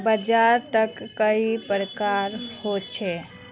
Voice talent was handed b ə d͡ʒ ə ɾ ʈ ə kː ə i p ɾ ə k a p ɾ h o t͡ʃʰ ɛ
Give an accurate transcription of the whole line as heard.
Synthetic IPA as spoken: b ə d͡ʒ a ɾ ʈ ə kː ə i p ɾ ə k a ɾ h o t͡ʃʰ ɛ